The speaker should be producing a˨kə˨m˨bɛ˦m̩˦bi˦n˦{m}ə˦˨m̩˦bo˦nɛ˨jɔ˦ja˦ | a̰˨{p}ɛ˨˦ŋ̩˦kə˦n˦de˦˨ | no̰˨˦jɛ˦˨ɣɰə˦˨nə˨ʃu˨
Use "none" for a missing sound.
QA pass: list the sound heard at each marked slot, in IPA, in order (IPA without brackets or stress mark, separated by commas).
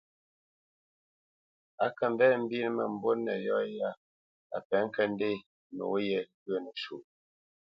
m, p